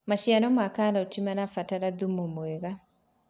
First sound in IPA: m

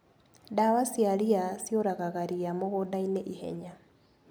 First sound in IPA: d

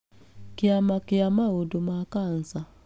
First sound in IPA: k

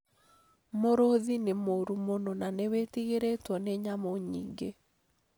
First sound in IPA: m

